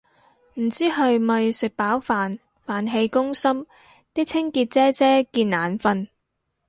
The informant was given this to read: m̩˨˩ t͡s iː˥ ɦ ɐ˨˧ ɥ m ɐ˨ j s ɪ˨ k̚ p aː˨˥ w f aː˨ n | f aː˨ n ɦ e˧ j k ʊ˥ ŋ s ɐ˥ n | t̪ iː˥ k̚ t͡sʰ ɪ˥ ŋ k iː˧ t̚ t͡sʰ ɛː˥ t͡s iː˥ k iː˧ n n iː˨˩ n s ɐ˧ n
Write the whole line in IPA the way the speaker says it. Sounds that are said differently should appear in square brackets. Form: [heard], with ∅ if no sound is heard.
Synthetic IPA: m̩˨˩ t͡s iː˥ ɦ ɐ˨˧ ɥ m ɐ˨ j s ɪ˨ k̚ p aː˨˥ w f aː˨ n | f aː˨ n ɦ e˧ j k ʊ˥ ŋ s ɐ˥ [m] | t̪ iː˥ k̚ t͡sʰ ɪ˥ ŋ k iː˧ t̚ [t͡s] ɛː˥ t͡s [ɛː˥] k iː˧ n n [aː˨˩] n [f] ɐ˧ n

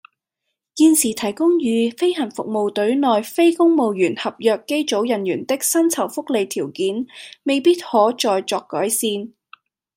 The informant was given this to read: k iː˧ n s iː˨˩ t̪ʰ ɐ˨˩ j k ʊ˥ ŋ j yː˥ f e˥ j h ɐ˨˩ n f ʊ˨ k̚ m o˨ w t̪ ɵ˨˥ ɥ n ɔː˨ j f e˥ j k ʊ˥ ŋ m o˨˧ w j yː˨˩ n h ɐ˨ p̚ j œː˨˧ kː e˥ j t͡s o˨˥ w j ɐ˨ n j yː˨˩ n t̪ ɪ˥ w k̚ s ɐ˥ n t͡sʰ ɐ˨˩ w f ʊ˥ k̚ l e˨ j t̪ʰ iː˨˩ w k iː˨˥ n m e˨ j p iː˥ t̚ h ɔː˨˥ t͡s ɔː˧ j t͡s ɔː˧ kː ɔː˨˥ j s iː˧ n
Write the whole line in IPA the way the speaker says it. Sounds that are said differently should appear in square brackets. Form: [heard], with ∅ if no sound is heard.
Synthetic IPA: k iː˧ n s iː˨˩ t̪ʰ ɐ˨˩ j k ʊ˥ ŋ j [yː˨˧] f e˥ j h ɐ˨˩ n f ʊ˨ k̚ m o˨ w t̪ ɵ˨˥ ɥ n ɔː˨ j f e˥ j k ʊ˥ ŋ m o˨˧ w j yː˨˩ n h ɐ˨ p̚ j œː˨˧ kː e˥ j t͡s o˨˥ w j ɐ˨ n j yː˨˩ n t̪ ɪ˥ [∅] k̚ s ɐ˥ n t͡sʰ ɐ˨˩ w f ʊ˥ k̚ l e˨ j t̪ʰ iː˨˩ w k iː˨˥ n m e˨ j p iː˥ t̚ h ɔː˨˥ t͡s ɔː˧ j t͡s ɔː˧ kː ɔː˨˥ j s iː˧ n

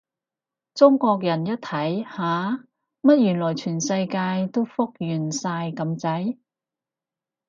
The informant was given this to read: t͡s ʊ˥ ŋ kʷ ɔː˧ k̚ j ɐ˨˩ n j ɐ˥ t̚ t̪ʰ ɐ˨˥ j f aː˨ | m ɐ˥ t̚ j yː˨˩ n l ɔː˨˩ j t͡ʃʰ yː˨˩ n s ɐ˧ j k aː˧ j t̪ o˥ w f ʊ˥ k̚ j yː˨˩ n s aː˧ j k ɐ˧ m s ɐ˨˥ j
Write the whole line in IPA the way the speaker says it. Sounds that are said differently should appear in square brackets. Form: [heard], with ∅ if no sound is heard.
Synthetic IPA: t͡s ʊ˥ ŋ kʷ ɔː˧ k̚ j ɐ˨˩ n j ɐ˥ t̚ t̪ʰ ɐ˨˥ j [h] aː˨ | m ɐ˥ t̚ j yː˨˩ n l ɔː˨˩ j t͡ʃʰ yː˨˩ n s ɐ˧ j k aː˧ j t̪ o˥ w f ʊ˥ k̚ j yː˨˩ n s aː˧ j k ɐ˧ m [t͡s] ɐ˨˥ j

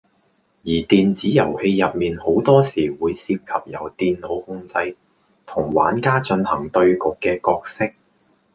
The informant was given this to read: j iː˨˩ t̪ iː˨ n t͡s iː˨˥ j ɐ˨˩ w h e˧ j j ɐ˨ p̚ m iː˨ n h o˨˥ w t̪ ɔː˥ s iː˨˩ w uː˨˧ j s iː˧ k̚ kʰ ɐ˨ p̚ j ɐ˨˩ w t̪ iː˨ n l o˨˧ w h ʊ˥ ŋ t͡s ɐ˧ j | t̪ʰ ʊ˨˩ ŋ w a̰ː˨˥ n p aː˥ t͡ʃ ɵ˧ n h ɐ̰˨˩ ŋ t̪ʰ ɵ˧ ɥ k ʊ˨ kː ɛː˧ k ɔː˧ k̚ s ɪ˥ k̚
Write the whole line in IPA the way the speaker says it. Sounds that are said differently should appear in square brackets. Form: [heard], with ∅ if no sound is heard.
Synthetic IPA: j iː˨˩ t̪ iː˨ n t͡s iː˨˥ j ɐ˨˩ w h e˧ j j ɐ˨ p̚ m iː˨ n h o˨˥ w t̪ ɔː˥ s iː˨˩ w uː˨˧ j s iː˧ [p̚] kʰ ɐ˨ p̚ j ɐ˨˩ w t̪ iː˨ n l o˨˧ w h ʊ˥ ŋ t͡s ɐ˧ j | t̪ʰ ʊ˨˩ ŋ w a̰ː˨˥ n [k] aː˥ t͡ʃ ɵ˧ n h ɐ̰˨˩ ŋ [t̪] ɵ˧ ɥ k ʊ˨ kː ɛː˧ k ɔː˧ k̚ s ɪ˥ k̚

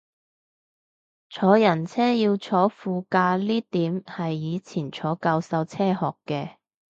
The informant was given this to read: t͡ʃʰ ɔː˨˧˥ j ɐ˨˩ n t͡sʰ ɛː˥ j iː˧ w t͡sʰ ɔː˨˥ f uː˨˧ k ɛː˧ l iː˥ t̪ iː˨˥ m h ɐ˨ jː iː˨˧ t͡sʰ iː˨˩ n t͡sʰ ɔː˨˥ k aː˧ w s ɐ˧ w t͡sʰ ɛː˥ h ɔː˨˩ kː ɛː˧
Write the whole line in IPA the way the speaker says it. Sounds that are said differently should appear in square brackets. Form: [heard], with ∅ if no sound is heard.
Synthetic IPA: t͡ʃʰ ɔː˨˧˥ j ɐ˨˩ n t͡sʰ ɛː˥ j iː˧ w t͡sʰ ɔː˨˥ f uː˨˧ k [aː˧] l iː˥ t̪ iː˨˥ m h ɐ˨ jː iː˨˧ t͡sʰ iː˨˩ n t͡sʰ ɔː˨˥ k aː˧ w s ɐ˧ w t͡sʰ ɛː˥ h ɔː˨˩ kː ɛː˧

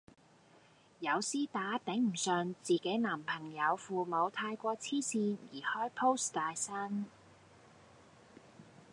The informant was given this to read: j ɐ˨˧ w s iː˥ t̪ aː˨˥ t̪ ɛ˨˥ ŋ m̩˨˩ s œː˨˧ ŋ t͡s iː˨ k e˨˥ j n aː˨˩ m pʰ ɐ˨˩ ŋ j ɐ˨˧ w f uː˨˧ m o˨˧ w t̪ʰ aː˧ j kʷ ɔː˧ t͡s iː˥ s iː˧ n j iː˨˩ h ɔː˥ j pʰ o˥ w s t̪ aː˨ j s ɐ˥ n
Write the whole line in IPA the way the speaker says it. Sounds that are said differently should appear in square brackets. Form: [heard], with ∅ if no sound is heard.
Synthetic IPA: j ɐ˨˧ w s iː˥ t̪ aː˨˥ t̪ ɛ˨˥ ŋ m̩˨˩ s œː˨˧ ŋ t͡s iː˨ k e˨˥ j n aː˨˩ m pʰ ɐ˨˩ ŋ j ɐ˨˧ w f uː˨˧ m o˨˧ w t̪ʰ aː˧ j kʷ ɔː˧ [t͡sʰ] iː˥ s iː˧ n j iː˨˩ h ɔː˥ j pʰ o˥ w s t̪ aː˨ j s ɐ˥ n

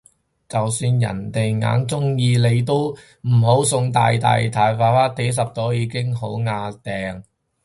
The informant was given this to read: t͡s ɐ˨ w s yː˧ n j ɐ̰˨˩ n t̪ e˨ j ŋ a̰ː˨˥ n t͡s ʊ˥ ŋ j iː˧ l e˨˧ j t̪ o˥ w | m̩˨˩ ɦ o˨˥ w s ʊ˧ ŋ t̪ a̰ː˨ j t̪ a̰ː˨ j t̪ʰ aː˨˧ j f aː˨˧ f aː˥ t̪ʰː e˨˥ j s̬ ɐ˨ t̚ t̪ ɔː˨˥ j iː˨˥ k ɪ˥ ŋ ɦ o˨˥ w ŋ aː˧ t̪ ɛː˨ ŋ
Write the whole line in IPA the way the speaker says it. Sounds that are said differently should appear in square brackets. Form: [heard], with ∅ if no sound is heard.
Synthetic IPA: t͡s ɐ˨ w s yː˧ n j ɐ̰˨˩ n t̪ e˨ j ŋ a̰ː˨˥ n t͡s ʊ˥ ŋ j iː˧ l e˨˧ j t̪ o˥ w | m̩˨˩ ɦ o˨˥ w s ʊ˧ ŋ t̪ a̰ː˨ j t̪ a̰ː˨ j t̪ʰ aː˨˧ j f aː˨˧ f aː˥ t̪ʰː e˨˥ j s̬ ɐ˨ [p̚] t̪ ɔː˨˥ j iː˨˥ k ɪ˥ ŋ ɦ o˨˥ w ŋ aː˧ t̪ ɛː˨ ŋ

